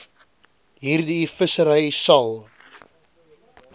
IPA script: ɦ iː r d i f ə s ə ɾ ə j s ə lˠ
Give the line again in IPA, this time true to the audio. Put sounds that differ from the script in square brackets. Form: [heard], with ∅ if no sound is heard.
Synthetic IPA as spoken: ɦ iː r d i f ə s ə ɾ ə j s [ɐ] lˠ